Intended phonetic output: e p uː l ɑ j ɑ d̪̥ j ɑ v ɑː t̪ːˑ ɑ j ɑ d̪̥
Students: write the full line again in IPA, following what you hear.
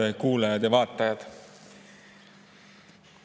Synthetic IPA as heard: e k uː l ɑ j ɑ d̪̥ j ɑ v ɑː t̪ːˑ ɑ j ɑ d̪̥